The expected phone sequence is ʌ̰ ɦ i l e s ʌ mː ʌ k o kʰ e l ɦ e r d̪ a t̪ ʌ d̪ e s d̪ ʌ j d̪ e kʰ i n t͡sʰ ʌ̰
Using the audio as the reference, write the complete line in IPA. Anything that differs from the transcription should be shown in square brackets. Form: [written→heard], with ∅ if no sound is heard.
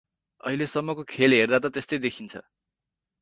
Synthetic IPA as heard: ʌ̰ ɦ i l e s ʌ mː ʌ k o kʰ e l ɦ e r d̪ a t̪ ʌ [d̪→t̪] e s [d̪→t̪] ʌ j d̪ e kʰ i n t͡sʰ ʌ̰